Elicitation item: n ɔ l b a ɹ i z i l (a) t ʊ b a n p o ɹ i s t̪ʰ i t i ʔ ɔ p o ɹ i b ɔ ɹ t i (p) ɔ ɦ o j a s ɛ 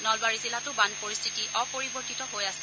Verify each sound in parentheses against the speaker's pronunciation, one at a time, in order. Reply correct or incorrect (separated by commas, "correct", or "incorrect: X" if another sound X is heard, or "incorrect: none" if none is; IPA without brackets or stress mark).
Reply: correct, incorrect: t